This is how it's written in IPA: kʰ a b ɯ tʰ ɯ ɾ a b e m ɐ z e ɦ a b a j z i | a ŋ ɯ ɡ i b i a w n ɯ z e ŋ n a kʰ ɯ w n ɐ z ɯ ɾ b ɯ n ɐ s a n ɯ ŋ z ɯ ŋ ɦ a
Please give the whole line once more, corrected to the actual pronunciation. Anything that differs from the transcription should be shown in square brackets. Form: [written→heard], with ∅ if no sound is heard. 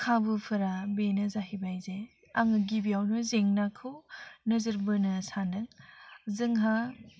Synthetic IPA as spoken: kʰ a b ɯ [tʰ→pʰ] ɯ ɾ a b e [m→n] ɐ z [e→a] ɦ [a→i] b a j z [i→e] | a ŋ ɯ ɡ i b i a w n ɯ z e ŋ n a kʰ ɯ w n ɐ z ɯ ɾ b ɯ n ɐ s a n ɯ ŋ z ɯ ŋ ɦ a